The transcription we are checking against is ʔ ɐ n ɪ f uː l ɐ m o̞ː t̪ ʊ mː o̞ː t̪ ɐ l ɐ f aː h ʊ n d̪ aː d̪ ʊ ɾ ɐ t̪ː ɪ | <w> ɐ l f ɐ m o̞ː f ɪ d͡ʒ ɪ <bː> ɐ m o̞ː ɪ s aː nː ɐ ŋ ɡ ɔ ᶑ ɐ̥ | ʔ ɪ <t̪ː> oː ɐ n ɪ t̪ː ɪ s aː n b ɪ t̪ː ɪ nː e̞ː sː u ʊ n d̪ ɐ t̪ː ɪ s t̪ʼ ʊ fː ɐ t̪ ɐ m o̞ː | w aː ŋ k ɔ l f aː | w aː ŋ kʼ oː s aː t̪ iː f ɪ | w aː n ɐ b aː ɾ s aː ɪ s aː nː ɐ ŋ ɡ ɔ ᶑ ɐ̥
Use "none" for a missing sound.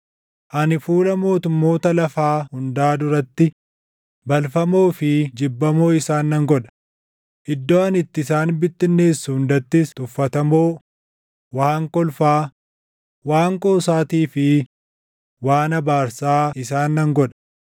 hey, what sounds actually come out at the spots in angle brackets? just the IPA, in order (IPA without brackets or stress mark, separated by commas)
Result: b, bː, d̪ː